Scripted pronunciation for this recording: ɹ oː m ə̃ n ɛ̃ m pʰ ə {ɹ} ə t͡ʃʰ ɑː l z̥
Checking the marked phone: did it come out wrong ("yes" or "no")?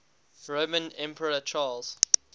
no